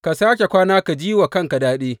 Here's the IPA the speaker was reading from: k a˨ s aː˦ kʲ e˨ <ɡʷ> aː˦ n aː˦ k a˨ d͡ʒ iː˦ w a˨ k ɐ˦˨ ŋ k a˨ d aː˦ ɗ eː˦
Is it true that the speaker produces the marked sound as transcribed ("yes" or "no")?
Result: no